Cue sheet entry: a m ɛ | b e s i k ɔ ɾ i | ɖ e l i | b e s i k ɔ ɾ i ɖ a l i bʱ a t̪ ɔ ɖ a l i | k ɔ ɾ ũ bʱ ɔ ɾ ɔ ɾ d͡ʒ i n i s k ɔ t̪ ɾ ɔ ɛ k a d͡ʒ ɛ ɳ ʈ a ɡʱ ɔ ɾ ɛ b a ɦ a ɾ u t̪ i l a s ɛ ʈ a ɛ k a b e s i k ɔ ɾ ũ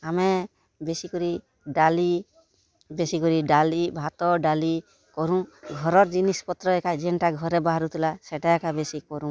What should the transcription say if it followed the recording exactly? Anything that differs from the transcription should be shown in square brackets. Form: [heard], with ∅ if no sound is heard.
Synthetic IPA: a m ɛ | b e s i k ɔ ɾ i | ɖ [a] l i | b e s i k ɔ ɾ i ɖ a l i bʱ a t̪ ɔ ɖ a l i | k ɔ ɾ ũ [ɡʱ] ɔ ɾ ɔ ɾ d͡ʒ i n i s [p] ɔ t̪ ɾ ɔ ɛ k a d͡ʒ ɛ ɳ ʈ a ɡʱ ɔ ɾ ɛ b a ɦ a ɾ u t̪ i l a s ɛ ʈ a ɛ k a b e s i k ɔ ɾ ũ

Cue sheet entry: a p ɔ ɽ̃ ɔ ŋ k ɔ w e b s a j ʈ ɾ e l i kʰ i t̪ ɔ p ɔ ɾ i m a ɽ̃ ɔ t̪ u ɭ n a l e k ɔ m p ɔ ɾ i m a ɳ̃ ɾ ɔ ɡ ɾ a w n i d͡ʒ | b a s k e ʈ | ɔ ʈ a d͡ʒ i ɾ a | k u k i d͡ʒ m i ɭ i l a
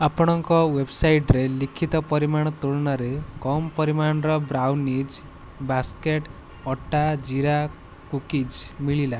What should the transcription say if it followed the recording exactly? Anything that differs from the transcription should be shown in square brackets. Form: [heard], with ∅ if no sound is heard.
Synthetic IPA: a p ɔ ɽ̃ ɔ ŋ k ɔ w e b s a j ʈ ɾ e l i kʰ i t̪ ɔ p ɔ ɾ i m a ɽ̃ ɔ t̪ u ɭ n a [ɾ] e k ɔ m p ɔ ɾ i m a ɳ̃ ɾ ɔ [b] ɾ a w n i d͡ʒ | b a s k e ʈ | ɔ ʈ a d͡ʒ i ɾ a | k u k i d͡ʒ m i ɭ i l a

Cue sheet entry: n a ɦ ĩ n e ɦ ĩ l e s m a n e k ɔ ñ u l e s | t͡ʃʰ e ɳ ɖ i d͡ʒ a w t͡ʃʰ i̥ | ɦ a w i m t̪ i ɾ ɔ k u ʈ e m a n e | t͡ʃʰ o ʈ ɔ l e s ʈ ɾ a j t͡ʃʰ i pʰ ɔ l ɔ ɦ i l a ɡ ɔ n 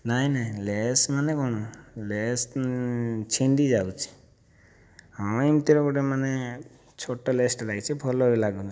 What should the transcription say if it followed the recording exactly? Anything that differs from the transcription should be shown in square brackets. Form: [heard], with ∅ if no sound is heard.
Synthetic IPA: n a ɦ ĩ n [a] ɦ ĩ l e s m a n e k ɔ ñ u l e s | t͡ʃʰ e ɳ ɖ i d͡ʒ a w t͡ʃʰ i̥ | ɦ a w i m t̪ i ɾ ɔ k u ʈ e m a n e | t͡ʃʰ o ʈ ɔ l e s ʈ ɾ a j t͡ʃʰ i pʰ ɔ l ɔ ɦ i l a ɡ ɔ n

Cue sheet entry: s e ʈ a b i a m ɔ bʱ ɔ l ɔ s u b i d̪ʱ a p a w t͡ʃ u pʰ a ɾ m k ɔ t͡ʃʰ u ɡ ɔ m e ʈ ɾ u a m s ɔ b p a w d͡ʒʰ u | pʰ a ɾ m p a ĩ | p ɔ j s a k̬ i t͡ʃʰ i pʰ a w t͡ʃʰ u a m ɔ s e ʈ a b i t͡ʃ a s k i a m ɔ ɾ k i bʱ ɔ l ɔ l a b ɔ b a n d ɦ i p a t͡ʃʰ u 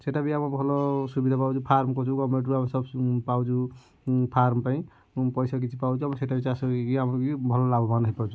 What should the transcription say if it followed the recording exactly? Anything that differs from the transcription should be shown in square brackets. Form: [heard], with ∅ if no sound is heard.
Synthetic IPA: s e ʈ a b i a m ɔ bʱ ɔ l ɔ s u b i d̪ʱ a p a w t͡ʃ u pʰ a ɾ m k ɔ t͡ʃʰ u ɡ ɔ m e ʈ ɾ u a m s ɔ b p a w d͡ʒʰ u | pʰ a ɾ m p a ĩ | p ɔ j s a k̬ i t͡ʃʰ i [p] a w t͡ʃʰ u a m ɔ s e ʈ a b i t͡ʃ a s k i a m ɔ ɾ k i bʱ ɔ l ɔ l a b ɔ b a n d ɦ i p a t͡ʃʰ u

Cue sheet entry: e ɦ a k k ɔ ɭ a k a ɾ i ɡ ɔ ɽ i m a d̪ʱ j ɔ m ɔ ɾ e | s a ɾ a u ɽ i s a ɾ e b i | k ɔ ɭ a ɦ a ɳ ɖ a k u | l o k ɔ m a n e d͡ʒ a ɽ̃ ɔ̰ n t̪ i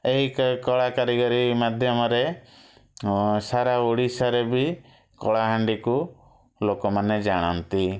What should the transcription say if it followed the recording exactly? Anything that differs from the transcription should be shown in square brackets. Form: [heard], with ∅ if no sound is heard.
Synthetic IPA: e ɦ [i] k k ɔ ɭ a k a ɾ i ɡ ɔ [ɾ] i m a d̪ʱ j ɔ m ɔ ɾ e | s a ɾ a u ɽ i s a ɾ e b i | k ɔ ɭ a ɦ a ɳ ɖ [i] k u | l o k ɔ m a n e d͡ʒ a ɽ̃ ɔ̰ n t̪ i

